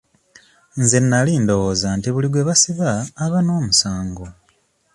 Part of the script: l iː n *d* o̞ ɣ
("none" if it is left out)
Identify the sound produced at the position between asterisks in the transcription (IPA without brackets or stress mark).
d